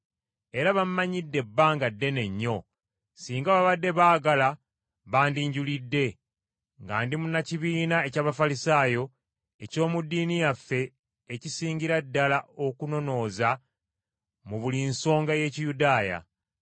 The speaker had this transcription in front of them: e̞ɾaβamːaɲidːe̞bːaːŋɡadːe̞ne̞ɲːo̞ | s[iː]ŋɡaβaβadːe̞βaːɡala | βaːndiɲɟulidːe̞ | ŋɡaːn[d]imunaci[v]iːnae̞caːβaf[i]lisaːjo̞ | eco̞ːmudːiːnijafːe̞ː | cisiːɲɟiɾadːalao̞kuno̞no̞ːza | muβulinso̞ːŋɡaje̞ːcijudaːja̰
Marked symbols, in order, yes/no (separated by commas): yes, yes, no, no